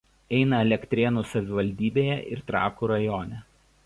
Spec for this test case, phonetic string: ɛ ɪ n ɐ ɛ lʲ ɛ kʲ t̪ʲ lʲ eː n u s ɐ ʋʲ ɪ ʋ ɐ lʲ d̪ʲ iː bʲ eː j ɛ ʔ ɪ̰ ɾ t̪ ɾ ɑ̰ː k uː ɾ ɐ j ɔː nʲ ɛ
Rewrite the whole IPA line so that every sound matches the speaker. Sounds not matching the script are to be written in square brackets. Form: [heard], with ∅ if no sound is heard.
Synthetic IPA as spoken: ɛ ɪ n ɐ ɛ lʲ ɛ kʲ t̪ʲ [ɾʲ] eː n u s ɐ ʋʲ ɪ ʋ ɐ lʲ d̪ʲ iː bʲ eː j ɛ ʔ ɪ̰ ɾ t̪ ɾ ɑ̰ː k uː ɾ ɐ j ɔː nʲ ɛ

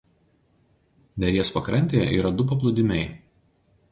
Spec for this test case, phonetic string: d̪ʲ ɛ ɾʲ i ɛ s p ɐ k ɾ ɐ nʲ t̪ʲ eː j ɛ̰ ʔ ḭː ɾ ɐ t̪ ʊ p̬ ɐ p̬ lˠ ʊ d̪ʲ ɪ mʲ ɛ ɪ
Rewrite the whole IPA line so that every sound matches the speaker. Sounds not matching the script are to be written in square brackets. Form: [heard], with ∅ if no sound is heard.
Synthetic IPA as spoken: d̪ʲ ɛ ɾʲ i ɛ s p ɐ k ɾ ɐ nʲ t̪ʲ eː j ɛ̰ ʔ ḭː ɾ ɐ [d̪] ʊ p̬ ɐ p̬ lˠ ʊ d̪ʲ ɪ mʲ ɛ ɪ

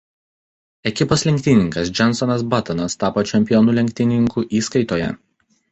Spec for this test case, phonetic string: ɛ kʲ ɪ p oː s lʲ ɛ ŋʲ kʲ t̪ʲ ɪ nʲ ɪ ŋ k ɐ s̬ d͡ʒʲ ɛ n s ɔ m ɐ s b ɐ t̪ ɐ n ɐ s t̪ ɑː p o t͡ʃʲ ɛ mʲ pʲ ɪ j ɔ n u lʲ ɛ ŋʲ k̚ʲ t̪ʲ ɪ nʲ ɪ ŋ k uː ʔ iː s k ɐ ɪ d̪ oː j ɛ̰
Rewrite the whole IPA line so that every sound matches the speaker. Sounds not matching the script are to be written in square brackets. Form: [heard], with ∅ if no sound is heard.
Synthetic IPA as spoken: ɛ kʲ ɪ p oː s lʲ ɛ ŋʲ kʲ t̪ʲ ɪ nʲ ɪ ŋ k ɐ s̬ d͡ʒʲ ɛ n s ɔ [n] ɐ s b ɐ t̪ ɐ n ɐ s t̪ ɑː p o t͡ʃʲ ɛ mʲ pʲ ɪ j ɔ n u lʲ ɛ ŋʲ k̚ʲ t̪ʲ ɪ nʲ ɪ ŋ k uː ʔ iː s k ɐ ɪ [t̪] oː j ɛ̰

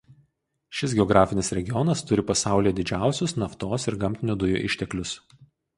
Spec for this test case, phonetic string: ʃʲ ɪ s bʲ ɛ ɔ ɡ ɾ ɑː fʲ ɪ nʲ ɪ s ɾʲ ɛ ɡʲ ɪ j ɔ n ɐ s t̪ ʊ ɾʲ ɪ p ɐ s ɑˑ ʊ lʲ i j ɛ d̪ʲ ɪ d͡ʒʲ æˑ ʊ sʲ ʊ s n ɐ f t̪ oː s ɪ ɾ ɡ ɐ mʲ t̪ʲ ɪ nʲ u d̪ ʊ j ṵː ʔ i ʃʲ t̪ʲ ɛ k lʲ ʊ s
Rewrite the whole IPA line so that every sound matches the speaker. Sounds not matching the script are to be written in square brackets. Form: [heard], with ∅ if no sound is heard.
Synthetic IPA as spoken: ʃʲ ɪ s [ɡʲ] ɛ ɔ ɡ ɾ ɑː fʲ ɪ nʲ ɪ s ɾʲ ɛ ɡʲ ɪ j ɔ n ɐ s t̪ ʊ ɾʲ ɪ p ɐ s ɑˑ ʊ lʲ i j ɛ d̪ʲ ɪ d͡ʒʲ æˑ ʊ sʲ ʊ s n ɐ f t̪ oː s ɪ ɾ ɡ ɐ mʲ t̪ʲ ɪ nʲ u d̪ ʊ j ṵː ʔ [ɪ] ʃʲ t̪ʲ ɛ k lʲ ʊ s

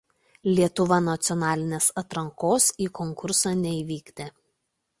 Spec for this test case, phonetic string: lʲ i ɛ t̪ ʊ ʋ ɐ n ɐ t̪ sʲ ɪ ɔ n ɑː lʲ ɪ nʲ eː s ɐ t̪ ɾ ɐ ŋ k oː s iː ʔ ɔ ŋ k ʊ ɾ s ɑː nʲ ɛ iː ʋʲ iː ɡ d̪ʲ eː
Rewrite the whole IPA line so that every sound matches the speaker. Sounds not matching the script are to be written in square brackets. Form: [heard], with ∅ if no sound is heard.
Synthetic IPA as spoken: lʲ i ɛ t̪ ʊ ʋ ɐ n ɐ t̪ sʲ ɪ ɔ n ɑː lʲ ɪ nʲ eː s ɐ t̪ ɾ ɐ ŋ k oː s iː [k] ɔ ŋ k ʊ ɾ s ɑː nʲ ɛ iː ʋʲ iː ɡ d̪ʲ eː

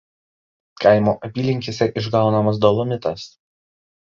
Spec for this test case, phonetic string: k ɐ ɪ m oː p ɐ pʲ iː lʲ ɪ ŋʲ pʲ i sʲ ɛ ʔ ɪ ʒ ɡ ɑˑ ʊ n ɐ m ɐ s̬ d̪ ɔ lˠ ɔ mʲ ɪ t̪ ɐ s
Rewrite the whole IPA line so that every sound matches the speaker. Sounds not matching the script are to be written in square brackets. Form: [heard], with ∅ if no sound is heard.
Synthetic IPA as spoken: k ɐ ɪ m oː [ʔ] ɐ pʲ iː lʲ ɪ ŋʲ [kʲ] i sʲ ɛ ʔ ɪ ʒ ɡ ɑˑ ʊ n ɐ m ɐ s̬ d̪ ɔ lˠ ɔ mʲ ɪ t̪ ɐ s

